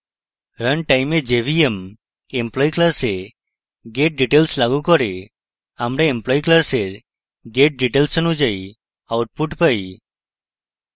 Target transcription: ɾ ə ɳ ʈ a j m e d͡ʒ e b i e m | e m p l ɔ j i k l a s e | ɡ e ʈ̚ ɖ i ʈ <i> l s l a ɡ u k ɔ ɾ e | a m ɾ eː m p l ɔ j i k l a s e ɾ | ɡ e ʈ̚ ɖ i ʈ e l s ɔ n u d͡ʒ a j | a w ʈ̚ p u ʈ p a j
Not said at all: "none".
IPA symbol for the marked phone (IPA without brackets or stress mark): e